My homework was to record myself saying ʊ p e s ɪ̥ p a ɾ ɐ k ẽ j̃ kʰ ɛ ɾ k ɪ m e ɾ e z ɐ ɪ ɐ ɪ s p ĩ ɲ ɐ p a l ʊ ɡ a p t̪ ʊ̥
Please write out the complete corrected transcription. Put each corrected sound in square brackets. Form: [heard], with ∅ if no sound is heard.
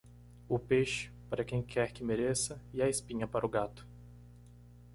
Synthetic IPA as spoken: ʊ p e [ʃ] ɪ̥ p a ɾ ɐ k ẽ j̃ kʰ ɛ ɾ k ɪ m e ɾ e [s] ɐ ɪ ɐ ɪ s p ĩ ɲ ɐ p a [ɾ] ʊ ɡ a [∅] t̪ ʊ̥